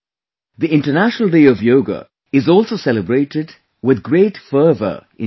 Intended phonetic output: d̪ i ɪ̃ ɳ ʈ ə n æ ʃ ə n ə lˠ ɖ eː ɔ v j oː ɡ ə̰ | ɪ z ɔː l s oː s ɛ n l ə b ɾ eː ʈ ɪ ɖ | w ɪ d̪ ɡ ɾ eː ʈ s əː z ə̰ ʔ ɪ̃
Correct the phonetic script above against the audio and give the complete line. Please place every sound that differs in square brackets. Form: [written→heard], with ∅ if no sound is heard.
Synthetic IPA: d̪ i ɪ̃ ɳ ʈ ə n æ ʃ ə n ə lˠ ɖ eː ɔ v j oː ɡ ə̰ | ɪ z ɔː l s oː s ɛ [n→∅] l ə b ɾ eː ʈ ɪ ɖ | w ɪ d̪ ɡ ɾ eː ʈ [s→f] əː [z→v] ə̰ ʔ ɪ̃